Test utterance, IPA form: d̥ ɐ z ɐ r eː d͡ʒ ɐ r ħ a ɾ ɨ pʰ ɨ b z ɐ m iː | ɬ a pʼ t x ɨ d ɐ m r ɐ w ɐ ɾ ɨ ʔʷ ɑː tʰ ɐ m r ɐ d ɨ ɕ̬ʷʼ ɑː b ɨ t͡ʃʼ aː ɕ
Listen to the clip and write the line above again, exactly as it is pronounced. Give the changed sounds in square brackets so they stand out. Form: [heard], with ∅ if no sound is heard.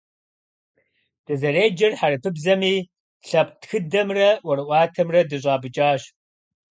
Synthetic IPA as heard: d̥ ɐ z ɐ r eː d͡ʒ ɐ r ħ a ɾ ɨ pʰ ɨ b z ɐ m iː | ɬ [ɐ] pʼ t x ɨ d ɐ m r ɐ w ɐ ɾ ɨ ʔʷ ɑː tʰ ɐ m r ɐ d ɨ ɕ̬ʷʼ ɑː b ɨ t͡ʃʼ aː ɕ